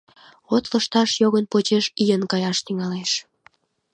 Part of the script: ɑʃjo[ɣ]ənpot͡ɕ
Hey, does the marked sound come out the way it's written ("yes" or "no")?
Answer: yes